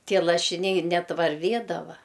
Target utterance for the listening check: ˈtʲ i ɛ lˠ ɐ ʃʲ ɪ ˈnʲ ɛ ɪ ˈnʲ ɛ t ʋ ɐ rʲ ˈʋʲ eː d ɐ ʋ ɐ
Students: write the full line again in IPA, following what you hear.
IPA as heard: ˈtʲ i ɛ lˠ ɐ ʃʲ ɪ ˈnʲ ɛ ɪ ˈnʲ ɛ t ʋ ɐ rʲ ˈʋʲ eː d ɐ ʋ ɐ